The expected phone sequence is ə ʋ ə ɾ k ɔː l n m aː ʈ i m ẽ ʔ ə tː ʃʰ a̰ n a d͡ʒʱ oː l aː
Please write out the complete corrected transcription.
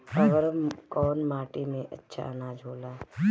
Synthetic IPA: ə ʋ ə ɾ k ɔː n m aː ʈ i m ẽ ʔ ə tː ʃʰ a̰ n a d͡ʒʱ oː l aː